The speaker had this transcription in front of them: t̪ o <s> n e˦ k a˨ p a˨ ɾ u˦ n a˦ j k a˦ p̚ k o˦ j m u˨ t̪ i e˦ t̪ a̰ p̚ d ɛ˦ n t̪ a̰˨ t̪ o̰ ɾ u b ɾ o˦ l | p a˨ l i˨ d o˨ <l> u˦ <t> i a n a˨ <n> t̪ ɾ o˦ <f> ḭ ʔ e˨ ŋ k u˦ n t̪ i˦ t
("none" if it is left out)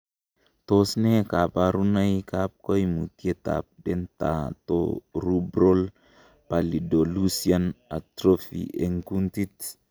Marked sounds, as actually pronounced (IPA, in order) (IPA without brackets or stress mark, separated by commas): s, l, s, none, f